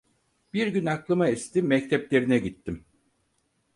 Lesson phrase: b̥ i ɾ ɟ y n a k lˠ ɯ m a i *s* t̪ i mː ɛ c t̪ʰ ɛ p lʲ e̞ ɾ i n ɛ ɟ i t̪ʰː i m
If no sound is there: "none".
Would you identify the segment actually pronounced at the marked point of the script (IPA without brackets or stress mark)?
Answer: s